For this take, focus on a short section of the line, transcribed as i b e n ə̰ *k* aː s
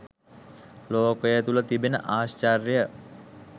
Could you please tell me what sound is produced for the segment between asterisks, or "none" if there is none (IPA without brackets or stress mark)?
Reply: ʔ